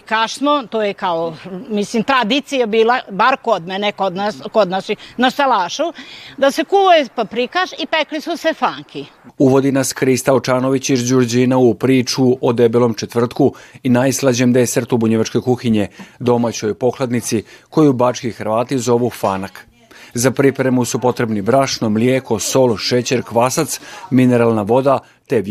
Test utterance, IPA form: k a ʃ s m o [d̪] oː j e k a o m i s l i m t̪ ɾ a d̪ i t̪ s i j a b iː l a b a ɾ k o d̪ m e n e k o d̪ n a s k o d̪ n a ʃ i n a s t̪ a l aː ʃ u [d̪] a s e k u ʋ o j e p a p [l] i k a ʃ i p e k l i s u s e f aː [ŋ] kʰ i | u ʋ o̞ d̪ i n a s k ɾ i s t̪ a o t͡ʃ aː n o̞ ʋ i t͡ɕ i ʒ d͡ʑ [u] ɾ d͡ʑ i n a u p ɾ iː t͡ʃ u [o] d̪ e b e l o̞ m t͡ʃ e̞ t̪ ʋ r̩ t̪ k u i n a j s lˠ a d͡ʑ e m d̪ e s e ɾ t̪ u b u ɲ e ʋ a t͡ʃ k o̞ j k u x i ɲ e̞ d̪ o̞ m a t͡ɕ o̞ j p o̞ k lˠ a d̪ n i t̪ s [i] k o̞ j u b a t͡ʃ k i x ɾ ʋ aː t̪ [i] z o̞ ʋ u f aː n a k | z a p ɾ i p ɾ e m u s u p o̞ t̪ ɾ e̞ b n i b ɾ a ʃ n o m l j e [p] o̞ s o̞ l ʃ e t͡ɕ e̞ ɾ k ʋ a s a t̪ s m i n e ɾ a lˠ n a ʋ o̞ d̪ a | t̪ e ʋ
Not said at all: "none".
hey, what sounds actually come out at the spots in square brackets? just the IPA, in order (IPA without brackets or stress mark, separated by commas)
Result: t̪, d̪, ɾ, ŋ, u, o, i, i, k